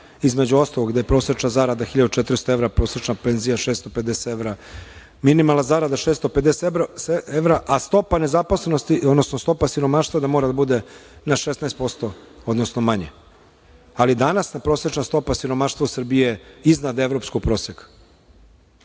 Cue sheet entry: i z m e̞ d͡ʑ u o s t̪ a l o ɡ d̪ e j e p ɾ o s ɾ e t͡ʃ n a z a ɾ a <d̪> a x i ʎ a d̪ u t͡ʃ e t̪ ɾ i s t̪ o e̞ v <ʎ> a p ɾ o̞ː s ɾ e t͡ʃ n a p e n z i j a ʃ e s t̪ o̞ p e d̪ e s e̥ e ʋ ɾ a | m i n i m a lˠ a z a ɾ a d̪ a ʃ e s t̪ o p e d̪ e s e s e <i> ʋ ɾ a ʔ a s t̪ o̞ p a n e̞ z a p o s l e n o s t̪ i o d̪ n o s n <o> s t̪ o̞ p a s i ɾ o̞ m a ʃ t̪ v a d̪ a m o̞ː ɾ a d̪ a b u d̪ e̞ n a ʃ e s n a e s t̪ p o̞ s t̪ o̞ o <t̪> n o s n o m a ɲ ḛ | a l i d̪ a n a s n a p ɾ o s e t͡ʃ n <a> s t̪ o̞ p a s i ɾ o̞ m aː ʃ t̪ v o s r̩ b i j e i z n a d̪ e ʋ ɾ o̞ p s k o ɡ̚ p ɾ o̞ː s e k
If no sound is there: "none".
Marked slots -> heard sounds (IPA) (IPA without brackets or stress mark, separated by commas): d̪, ɾ, e, o, d̪, a